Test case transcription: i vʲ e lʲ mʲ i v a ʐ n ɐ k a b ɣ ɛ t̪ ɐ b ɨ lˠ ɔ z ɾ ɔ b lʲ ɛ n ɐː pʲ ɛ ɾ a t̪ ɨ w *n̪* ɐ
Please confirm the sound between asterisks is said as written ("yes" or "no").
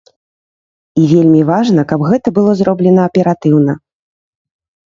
yes